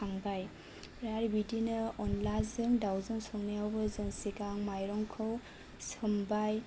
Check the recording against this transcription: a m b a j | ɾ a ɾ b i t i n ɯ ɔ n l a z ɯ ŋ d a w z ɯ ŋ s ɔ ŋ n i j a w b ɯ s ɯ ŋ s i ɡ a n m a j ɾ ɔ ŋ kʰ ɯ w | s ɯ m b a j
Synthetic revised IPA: a ŋ b a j | ɾ a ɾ b i d i n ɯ ɔ n l a z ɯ ŋ d a w z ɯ ŋ s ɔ ŋ n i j a w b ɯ z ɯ ŋ s i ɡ a ŋ m a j ɾ ɔ ŋ kʰ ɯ w | s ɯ m b a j